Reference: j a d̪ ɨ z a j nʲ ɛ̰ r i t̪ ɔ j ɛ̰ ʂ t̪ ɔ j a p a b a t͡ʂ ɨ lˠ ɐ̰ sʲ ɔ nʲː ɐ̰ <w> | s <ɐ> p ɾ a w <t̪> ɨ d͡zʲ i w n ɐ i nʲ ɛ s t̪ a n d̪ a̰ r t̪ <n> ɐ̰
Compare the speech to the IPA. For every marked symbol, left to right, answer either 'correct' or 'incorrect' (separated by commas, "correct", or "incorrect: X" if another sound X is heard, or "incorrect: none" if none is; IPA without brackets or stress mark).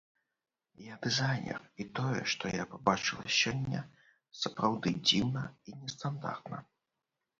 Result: incorrect: none, correct, incorrect: d̪, correct